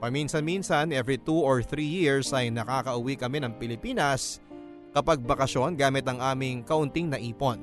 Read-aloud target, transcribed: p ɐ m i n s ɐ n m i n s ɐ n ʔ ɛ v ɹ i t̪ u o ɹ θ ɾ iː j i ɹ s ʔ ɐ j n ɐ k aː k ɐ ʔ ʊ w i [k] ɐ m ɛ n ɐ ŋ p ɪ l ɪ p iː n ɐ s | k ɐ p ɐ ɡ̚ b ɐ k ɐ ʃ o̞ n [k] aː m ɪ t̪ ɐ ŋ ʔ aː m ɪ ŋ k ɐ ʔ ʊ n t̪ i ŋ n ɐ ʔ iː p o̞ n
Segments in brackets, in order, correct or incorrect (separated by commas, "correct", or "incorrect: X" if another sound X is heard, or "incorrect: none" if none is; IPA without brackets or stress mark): correct, incorrect: ɡ